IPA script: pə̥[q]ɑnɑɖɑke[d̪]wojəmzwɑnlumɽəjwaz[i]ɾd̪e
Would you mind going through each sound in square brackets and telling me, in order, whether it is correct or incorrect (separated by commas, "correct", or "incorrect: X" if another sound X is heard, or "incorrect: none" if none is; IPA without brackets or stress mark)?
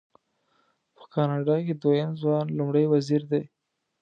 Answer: incorrect: k, correct, correct